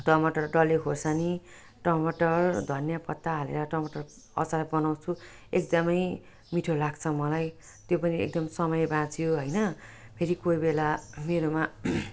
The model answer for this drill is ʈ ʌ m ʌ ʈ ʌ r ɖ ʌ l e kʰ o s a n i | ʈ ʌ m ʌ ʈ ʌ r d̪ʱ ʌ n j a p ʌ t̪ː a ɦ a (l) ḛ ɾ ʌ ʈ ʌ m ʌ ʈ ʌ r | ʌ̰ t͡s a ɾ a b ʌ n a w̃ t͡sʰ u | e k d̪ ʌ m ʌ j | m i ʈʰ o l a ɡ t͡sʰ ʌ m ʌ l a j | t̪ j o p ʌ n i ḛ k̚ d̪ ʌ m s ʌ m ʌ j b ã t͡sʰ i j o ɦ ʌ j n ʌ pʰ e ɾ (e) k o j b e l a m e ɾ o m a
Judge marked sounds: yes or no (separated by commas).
yes, no